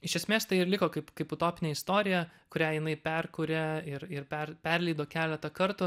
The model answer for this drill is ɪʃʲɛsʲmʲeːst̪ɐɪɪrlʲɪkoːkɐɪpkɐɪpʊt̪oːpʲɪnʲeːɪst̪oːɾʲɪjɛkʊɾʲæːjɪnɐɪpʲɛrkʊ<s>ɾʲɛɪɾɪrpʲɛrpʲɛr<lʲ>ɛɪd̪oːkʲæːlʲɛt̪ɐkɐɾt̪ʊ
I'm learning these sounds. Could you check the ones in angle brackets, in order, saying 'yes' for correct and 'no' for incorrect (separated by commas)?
no, yes